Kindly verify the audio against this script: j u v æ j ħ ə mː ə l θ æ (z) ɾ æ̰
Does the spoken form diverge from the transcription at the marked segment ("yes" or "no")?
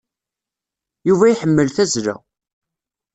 no